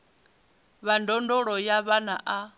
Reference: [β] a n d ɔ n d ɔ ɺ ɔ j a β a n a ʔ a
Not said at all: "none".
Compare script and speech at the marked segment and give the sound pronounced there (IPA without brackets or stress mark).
β